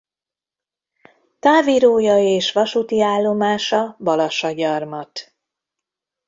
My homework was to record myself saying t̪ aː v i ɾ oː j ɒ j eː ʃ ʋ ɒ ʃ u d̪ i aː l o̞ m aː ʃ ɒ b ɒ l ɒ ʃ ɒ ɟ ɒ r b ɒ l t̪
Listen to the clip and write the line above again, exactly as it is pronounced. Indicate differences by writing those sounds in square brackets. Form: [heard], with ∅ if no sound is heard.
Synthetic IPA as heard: t̪ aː v i ɾ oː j ɒ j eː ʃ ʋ ɒ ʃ u [t̪] i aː [lː] o̞ m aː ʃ ɒ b ɒ l ɒ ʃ ɒ ɟ ɒ r [m] ɒ [∅] t̪